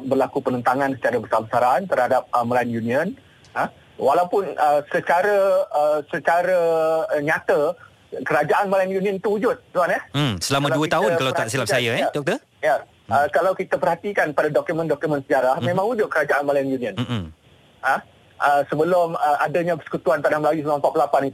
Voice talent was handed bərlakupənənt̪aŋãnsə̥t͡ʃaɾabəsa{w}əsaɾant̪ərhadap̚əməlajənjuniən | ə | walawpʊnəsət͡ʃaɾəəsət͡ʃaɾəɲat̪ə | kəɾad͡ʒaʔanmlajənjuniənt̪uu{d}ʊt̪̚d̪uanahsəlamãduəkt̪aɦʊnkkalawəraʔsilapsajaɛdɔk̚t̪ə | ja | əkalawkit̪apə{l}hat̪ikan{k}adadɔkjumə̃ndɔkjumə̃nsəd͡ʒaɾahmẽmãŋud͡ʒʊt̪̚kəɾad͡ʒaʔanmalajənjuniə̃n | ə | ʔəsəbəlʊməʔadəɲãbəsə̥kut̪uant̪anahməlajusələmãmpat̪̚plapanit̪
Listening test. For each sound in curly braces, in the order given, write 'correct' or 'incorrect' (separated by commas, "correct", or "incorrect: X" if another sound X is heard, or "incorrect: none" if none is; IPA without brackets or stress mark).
incorrect: b, incorrect: d͡ʒ, incorrect: r, incorrect: p